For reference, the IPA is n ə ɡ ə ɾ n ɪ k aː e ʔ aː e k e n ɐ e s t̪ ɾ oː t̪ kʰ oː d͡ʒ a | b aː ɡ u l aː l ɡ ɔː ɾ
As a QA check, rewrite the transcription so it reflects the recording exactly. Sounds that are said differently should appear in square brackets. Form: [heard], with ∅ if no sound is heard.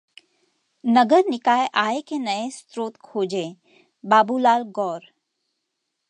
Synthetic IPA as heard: n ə ɡ ə ɾ n ɪ k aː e ʔ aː e k e n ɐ e s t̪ ɾ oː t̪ kʰ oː d͡ʒ [e] | b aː [b] u l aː l ɡ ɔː ɾ